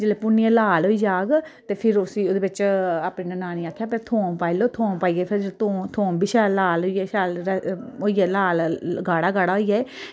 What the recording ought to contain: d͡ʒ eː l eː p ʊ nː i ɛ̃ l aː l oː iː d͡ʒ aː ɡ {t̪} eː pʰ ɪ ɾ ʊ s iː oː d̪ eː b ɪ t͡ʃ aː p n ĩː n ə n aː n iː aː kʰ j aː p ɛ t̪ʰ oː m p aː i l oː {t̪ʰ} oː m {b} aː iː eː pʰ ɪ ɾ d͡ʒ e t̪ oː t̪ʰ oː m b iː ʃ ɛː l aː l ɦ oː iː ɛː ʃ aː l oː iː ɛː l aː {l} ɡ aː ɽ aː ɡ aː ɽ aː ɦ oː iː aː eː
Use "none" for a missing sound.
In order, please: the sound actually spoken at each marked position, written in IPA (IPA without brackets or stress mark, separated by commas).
t̪, t̪ʰ, p, l